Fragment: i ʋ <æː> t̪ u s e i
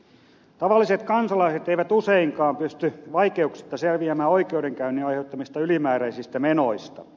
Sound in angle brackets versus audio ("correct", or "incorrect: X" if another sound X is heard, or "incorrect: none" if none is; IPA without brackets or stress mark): incorrect: æ